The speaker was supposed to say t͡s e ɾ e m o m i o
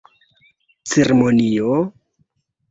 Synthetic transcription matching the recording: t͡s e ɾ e m o n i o